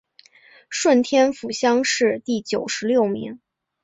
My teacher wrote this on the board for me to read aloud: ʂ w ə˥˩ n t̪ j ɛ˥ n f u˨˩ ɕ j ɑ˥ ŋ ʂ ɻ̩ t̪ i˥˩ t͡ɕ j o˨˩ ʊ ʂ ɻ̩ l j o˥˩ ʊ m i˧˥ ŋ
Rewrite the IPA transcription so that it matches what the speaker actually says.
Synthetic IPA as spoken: ʂ w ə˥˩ n t̪ʰ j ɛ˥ n f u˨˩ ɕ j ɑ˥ ŋ ʂ ɻ̩ t̪ i˥˩ t͡ɕ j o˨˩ ʊ ʂ ɻ̩ l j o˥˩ ʊ m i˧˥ ŋ

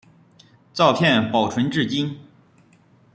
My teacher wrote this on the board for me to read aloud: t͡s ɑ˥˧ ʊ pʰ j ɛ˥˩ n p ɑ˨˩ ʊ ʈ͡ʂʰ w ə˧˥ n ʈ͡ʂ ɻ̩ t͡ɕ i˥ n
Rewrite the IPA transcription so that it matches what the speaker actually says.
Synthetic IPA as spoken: t͡s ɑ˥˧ ʊ pʰ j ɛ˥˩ n p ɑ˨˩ ʊ ʈ͡ʂʰ w ə˧˥ n ʈ͡ʂ ɻ̩ t͡ɕ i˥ n

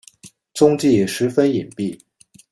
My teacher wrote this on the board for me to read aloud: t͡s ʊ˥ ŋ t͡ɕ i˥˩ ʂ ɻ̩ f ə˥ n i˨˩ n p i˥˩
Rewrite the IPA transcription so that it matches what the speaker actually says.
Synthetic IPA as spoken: t͡s ʊ˥ ŋ t͡ɕ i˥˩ ʂ ɻ̩ f ə˥ n i˨˩ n p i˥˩

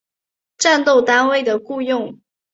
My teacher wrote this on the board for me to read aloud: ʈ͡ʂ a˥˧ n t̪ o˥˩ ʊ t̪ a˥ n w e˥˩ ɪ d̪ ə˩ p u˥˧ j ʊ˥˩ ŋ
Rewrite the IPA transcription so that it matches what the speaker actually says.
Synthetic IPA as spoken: ʈ͡ʂ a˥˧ n t̪ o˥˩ ʊ t̪ a˥ n w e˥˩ ɪ d̪ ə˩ k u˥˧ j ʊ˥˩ ŋ

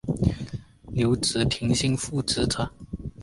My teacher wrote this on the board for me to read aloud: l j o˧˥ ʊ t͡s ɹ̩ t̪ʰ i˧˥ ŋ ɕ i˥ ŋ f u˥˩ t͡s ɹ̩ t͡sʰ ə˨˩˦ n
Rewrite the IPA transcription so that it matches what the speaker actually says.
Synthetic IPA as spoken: l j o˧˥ ʊ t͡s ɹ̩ t̪ʰ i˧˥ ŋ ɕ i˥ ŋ f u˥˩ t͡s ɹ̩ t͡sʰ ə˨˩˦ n

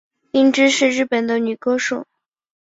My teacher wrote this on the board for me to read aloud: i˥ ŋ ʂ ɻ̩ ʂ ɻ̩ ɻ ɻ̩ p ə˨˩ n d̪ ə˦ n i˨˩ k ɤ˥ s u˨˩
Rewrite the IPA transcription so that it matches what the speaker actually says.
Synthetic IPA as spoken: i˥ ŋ ʈ͡ʂ ɻ̩ ʂ ɻ̩ ɻ ɻ̩ p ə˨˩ n d̪ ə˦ n y˨˩ k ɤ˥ ʂ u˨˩

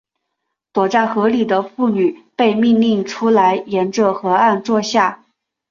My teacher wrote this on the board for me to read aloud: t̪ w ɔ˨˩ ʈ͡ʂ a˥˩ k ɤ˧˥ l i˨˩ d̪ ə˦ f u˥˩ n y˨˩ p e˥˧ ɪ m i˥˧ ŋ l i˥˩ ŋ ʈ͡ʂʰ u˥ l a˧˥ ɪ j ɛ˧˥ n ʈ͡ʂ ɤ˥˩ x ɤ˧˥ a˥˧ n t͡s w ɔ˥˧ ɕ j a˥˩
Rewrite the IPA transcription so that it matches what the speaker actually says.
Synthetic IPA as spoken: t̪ w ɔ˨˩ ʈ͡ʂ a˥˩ x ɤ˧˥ l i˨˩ d̪ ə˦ f u˥˩ n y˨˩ p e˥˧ ɪ m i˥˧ ŋ l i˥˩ ŋ ʈ͡ʂʰ u˥ l a˧˥ ɪ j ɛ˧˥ n ʈ͡ʂ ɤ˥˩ x ɤ˧˥ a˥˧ n t͡s w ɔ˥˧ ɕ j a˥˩

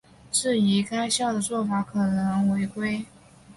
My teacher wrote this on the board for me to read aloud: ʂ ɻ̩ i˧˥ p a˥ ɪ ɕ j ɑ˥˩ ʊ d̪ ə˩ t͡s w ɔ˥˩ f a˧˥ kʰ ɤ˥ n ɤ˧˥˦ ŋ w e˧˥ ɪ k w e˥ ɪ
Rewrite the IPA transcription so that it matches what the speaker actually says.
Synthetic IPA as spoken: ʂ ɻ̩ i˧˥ k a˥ ɪ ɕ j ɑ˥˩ ʊ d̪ ə˩ t͡s w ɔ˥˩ f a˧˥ kʰ ɤ˨˩ n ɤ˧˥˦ ŋ w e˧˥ ɪ k w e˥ ɪ

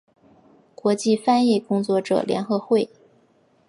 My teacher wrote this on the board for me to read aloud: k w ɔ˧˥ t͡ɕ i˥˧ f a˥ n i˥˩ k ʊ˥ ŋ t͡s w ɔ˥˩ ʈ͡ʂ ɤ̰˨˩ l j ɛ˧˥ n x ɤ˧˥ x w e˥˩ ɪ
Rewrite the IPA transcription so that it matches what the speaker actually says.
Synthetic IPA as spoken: k w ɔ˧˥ t͡ɕ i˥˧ f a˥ n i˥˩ k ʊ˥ ŋ t͡s w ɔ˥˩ ʈ͡ʂ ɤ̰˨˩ l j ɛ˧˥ n x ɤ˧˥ x w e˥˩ ɪ

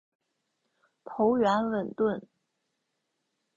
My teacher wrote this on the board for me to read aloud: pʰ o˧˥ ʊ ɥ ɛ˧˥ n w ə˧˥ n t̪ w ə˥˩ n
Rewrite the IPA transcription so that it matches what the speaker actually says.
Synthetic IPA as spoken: pʰ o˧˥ ʊ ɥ ɛ˧˥ n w ə˨˩ n t̪ w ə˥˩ n

